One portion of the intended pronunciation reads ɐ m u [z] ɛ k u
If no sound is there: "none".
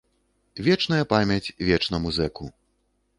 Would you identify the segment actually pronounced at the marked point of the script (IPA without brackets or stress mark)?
z